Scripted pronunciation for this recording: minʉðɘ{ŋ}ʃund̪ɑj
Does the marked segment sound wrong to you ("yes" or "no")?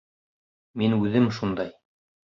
yes